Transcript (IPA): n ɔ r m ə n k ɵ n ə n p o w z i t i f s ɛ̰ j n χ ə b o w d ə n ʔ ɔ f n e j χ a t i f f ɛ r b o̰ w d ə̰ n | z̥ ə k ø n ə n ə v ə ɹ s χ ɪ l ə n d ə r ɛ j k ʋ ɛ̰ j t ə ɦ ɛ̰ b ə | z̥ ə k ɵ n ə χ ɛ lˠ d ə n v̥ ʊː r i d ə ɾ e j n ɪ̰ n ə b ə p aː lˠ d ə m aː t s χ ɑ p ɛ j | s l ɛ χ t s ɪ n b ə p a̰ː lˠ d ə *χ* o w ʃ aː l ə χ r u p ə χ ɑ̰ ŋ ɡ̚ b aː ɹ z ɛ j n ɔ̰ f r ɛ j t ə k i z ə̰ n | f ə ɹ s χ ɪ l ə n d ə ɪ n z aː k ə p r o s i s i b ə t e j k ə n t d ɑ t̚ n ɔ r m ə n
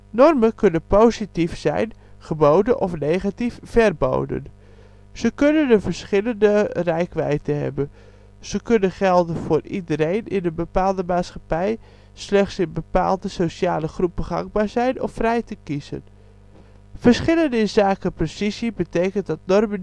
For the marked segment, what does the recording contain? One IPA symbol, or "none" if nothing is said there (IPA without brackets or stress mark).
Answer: s